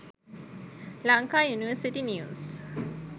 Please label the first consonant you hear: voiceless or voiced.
voiced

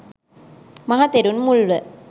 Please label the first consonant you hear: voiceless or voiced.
voiced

